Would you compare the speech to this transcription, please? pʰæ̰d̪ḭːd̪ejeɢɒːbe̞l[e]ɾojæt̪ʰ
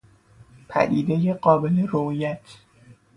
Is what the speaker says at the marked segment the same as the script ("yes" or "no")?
yes